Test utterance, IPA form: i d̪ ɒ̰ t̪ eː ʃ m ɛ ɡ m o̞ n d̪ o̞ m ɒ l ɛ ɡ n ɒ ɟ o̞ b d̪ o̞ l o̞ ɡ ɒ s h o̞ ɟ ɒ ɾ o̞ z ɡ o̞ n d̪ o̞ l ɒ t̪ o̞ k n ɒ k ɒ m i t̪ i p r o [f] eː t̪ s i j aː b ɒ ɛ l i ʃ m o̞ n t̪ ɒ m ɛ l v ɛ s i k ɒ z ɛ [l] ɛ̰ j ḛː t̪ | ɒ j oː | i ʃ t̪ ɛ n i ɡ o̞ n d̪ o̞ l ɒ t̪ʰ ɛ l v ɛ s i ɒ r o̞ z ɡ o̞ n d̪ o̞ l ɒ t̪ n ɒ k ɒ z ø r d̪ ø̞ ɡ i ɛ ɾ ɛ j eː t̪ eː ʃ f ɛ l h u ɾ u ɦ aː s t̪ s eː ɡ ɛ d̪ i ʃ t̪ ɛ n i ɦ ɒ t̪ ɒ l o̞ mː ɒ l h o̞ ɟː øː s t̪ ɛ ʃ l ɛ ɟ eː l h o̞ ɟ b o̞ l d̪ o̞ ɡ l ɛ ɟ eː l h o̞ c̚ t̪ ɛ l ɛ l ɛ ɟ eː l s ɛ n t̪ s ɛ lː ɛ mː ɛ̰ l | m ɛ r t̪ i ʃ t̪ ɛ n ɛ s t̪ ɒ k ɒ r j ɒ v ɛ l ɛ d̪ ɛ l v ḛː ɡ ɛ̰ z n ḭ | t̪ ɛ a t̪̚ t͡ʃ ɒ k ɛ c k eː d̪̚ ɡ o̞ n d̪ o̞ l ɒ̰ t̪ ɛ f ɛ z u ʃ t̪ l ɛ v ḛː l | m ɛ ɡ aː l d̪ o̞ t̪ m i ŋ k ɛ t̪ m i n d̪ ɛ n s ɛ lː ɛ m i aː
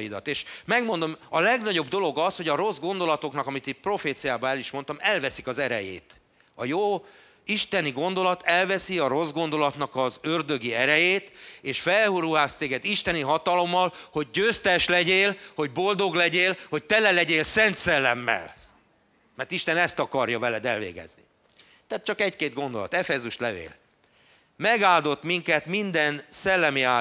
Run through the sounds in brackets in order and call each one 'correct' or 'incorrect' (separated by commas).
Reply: correct, incorrect